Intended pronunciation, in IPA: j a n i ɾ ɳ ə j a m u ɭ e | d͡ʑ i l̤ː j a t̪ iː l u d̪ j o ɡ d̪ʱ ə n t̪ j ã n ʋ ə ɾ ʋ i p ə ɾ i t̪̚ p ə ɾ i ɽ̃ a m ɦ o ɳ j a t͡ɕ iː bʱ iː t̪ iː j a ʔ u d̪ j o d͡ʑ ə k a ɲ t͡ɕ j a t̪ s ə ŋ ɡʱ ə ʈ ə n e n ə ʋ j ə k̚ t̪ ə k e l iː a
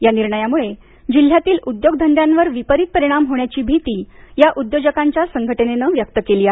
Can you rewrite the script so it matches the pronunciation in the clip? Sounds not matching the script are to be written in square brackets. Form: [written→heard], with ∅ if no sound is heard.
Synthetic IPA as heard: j a n i ɾ ɳ ə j a m u ɭ e | d͡ʑ i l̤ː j a t̪ iː l u d̪ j o ɡ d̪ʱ ə n [t̪→d̪] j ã n ʋ ə ɾ ʋ i p ə ɾ i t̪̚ p ə ɾ i ɽ̃ a m ɦ o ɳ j a t͡ɕ iː bʱ [iː→i] t̪ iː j a ʔ u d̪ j o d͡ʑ ə k a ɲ t͡ɕ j a [t̪→∅] s ə ŋ ɡʱ ə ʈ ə n e n ə ʋ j ə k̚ t̪ ə k e l iː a